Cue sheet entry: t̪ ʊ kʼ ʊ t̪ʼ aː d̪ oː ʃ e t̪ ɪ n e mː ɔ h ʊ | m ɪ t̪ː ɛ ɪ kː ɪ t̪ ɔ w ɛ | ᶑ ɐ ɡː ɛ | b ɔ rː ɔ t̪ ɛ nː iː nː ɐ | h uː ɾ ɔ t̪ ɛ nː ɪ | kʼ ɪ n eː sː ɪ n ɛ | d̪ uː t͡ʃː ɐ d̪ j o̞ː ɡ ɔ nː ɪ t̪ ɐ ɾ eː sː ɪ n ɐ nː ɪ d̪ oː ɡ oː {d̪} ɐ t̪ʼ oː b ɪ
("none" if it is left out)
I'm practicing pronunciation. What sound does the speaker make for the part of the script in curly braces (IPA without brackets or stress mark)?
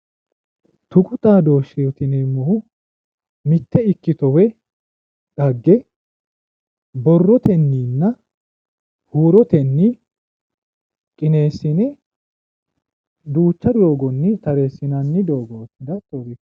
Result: d̪